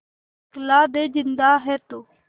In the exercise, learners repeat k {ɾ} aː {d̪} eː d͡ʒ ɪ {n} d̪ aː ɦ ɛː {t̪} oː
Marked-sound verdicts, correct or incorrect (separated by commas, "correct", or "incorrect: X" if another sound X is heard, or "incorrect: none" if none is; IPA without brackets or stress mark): incorrect: l, correct, correct, correct